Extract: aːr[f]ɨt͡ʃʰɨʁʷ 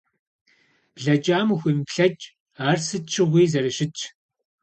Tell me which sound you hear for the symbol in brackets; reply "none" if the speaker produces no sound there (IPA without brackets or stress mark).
s